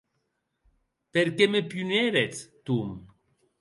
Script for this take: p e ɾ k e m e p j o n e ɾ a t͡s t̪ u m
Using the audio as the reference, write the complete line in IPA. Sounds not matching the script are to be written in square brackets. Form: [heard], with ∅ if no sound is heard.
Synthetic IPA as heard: p e ɾ k e m e p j [u] n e ɾ [e] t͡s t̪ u m